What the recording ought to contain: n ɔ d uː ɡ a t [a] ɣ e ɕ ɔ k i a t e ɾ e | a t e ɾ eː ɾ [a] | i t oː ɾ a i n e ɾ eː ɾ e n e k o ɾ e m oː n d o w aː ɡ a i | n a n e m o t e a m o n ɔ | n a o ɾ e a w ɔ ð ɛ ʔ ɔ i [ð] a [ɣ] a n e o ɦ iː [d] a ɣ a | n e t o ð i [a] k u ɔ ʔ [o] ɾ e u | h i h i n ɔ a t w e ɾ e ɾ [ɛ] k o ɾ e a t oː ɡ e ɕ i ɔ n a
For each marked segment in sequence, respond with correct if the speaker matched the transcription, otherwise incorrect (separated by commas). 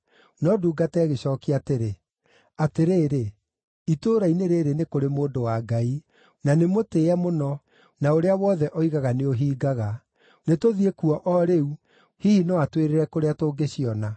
incorrect, incorrect, incorrect, correct, incorrect, incorrect, incorrect, correct